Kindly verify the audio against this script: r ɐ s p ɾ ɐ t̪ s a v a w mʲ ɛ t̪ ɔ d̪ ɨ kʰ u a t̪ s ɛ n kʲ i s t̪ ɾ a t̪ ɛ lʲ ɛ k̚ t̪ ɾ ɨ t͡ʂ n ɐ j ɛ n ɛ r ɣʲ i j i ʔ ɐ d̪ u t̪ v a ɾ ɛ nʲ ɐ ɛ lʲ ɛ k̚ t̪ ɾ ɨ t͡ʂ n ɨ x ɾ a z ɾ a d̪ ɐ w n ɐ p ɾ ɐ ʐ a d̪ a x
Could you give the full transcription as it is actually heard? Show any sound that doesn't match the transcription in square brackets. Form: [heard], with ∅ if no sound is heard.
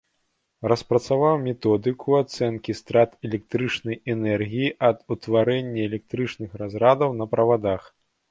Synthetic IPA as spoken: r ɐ s p ɾ ɐ t̪ s a v a w mʲ ɛ t̪ ɔ d̪ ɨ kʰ u a t̪ s ɛ n kʲ i s t̪ ɾ a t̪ ɛ lʲ ɛ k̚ t̪ ɾ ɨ t͡ʂ n ɐ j ɛ n ɛ r ɣʲ i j i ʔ ɐ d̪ u t̪ v a ɾ ɛ [nʲː] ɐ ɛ lʲ ɛ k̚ t̪ ɾ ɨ t͡ʂ n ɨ x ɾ a z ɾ a d̪ ɐ w n ɐ p ɾ ɐ [v] a d̪ a x